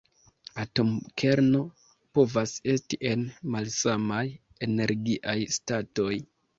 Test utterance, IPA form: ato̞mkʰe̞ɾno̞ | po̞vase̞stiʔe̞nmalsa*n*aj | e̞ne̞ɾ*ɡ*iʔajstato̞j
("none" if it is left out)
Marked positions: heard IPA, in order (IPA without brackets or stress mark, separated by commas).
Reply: m, ɡ